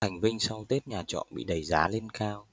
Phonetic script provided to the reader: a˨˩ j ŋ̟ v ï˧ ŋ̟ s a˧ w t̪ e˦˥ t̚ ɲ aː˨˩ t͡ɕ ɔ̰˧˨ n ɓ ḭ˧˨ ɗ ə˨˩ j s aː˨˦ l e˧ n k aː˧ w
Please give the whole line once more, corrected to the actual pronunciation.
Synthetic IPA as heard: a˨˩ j ŋ̟ v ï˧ ŋ̟ s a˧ w t̪ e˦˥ t̚ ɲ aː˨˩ t͡ɕ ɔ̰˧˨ n ɓ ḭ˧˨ ɗ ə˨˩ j z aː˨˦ l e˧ n k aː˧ w

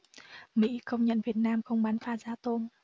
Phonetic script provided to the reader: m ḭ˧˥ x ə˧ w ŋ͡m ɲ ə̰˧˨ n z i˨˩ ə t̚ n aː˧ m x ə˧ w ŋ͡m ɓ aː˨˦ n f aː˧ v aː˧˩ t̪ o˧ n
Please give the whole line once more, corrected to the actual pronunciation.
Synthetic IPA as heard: m ḭ˧˥ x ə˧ w ŋ͡m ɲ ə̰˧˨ n v i˨˩ ə t̚ n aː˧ m x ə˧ w ŋ͡m ɓ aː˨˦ n f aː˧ z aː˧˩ t̪ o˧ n

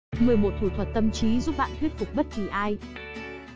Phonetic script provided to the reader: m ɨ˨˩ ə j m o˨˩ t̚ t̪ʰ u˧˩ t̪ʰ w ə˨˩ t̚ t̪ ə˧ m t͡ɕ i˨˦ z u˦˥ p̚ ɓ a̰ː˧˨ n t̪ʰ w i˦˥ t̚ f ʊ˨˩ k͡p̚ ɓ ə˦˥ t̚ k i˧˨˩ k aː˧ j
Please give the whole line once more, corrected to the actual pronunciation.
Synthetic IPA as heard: m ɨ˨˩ ə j m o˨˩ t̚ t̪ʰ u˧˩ t̪ʰ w ə˨˩ t̚ t̪ ə˧ m t͡ɕ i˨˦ z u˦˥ p̚ ɓ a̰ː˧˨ n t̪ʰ w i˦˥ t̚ f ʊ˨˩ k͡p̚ ɓ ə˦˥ t̚ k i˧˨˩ ʔ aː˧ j

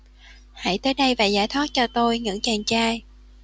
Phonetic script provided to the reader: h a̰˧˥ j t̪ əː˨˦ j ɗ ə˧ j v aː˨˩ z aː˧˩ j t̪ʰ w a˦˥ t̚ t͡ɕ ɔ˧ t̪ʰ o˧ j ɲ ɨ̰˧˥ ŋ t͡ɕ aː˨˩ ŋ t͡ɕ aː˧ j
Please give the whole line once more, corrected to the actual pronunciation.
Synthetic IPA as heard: h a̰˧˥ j t̪ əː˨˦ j ɗ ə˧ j v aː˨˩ z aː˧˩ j t̪ʰ w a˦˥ t̚ t͡ɕ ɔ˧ t̪ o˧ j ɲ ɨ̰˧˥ ŋ t͡ɕ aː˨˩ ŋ t͡ɕ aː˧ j

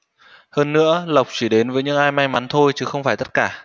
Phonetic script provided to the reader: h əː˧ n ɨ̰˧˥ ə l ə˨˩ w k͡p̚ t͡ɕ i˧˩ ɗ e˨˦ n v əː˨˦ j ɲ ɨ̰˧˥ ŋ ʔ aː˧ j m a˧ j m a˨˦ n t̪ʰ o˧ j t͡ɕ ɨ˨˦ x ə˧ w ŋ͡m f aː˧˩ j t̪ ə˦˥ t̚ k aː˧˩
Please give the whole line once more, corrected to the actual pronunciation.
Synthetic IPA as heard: h əː˧ nː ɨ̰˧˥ ə l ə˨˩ w k͡p̚ t͡ɕ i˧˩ ɗ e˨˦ n v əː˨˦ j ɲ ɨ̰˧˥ ŋ ʔ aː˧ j m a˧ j m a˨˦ n t̪ʰ o˧ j t͡ɕ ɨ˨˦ x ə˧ w ŋ͡m f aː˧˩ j t̪ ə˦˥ t̚ k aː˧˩

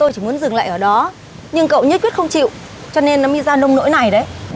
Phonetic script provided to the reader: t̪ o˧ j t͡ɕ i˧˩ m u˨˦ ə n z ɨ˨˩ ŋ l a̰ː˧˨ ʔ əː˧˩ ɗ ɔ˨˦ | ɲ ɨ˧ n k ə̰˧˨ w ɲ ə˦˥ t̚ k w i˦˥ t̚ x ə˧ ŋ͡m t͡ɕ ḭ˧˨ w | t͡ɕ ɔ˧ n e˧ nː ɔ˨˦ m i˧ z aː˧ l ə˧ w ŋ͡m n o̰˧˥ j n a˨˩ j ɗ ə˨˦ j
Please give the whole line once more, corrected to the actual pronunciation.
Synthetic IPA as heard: t̪ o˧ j t͡ɕ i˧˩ m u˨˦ ə n z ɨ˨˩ ŋ l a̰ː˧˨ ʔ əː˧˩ ɗ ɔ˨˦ | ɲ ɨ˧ ŋ k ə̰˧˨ w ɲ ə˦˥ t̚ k w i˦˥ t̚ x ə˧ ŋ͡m t͡ɕ ḭ˧˨ w | t͡ɕ ɔ˧ n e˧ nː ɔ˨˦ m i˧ z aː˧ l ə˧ w ŋ͡m n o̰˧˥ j n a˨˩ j ɗ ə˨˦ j

